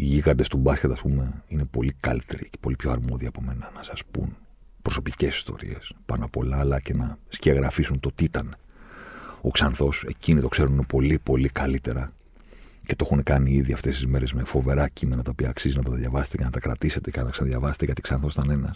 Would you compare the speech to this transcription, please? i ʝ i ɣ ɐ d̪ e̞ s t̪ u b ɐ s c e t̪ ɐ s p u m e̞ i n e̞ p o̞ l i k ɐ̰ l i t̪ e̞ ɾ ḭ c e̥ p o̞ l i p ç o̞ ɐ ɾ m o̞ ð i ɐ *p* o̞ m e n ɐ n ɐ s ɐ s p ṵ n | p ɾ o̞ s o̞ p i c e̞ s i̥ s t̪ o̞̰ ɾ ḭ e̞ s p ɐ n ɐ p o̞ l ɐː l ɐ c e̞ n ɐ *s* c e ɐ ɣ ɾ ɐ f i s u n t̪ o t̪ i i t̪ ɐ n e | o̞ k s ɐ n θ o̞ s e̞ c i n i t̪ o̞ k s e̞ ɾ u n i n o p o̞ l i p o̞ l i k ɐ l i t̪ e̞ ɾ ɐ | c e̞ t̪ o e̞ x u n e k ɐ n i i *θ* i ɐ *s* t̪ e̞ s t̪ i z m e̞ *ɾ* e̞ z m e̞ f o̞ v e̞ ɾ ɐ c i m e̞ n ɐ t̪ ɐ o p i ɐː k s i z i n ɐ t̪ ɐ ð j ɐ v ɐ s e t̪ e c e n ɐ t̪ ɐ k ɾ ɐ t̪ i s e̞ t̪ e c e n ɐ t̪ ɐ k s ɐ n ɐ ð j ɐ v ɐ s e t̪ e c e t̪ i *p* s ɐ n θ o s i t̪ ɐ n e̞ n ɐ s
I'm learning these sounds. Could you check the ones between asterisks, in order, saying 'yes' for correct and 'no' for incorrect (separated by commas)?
yes, yes, no, no, yes, no